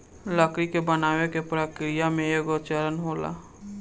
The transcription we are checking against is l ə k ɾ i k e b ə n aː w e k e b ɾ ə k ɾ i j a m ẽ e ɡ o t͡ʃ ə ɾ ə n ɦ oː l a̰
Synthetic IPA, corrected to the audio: l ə k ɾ i k e b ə n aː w e k e p ɾ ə k ɾ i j a m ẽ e ɡ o t͡ʃ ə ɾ ə n ɦ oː l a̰